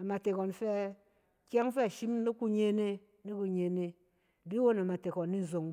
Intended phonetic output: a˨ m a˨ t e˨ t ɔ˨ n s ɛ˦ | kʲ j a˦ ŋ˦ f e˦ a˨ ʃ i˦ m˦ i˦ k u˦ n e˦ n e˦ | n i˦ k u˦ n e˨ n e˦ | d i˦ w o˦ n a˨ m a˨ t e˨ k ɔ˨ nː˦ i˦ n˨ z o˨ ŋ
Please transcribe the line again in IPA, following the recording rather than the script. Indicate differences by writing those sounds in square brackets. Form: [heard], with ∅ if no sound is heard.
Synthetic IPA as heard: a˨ m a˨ t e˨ [k] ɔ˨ n [f] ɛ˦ | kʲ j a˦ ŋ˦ f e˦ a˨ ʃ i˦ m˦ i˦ k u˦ [ɲ] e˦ n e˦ | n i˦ k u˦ [ɲ] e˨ n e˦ | d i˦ w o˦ n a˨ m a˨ t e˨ k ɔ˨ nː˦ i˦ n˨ z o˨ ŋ

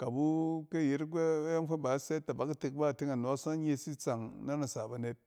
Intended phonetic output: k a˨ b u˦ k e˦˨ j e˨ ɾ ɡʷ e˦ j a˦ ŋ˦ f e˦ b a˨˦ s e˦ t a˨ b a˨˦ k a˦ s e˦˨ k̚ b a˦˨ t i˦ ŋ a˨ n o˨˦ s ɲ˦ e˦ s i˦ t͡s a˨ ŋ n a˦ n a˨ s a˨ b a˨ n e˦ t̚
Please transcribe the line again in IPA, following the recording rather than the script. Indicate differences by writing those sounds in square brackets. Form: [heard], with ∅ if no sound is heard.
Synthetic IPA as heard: k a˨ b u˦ k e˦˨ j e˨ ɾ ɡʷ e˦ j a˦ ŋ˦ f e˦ b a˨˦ s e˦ t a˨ b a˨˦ k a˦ [t] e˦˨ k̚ b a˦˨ t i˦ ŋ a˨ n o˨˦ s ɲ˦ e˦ s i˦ t͡s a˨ ŋ n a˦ n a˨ s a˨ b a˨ n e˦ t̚

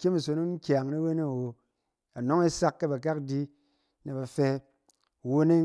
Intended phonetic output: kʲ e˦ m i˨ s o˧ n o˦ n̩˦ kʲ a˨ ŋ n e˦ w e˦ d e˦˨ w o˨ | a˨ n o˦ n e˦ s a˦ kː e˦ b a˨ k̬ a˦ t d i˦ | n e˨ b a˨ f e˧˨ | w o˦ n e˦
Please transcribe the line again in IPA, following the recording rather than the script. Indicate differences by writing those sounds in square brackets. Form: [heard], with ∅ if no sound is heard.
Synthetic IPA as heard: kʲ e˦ m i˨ s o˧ n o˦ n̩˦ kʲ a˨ ŋ n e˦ w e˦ [n] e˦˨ w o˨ | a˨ n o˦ [ŋ] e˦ s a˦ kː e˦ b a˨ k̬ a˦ [k] d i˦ | n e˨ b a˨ f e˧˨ | w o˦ n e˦

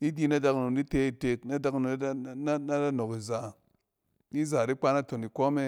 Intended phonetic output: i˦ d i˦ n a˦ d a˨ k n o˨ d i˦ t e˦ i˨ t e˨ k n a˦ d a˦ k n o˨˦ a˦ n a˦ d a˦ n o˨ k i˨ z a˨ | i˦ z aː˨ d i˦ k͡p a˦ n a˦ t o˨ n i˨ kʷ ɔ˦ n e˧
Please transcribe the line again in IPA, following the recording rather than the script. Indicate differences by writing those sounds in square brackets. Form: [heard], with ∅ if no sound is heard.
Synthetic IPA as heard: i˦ d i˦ n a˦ d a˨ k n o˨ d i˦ t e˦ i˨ t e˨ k n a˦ d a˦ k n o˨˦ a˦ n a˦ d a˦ n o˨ k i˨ z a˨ | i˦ z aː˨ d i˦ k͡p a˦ n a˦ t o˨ n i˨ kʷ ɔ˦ [m] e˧

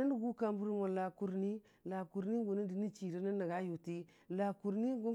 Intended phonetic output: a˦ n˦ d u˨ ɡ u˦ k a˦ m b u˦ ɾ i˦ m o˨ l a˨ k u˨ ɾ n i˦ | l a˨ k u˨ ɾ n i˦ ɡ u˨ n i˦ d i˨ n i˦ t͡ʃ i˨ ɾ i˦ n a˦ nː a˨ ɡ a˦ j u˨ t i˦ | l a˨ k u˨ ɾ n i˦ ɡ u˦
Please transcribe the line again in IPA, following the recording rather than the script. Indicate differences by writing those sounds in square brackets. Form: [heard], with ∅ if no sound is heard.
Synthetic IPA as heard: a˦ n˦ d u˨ ɡ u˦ k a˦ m b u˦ ɾ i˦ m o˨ l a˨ k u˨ ɾ n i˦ | l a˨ k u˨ ɾ n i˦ ɡ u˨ n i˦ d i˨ n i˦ t͡ʃ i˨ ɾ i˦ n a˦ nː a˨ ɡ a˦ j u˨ t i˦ | l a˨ k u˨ ɾ n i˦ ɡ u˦

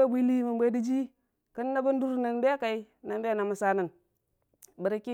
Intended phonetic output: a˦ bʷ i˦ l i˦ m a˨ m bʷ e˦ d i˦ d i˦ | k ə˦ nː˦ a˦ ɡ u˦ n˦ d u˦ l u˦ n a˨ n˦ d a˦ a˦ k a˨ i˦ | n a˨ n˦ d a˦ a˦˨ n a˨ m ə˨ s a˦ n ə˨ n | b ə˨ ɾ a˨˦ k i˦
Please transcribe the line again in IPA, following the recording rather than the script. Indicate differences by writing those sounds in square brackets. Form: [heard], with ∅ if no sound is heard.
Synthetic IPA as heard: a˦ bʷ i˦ l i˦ m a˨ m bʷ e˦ d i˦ [d͡ʒ] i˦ | k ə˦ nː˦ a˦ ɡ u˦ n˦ d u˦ [ɾ] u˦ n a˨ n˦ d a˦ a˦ k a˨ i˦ | n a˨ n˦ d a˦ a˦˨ n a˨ m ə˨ s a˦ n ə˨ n | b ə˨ ɾ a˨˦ k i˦

